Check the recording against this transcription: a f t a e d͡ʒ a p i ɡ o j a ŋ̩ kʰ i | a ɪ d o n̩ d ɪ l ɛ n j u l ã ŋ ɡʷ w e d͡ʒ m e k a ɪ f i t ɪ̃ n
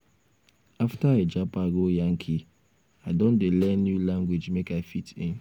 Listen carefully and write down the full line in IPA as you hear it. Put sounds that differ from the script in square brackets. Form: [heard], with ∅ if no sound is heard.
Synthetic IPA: a f t a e d͡ʒ a p [a] ɡ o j a ŋ̩ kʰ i | a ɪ d o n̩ d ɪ l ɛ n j u l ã ŋ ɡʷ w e d͡ʒ m e k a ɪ f i t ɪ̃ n